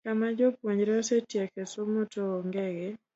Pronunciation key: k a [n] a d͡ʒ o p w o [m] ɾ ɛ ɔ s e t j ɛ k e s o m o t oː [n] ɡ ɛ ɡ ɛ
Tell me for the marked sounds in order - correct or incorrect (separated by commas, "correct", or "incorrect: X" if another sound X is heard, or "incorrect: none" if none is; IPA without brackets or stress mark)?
incorrect: m, incorrect: ɲ, incorrect: ŋ